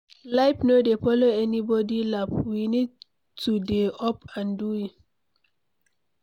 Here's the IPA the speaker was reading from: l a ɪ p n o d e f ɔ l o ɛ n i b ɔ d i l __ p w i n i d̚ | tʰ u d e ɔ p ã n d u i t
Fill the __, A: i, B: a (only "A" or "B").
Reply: B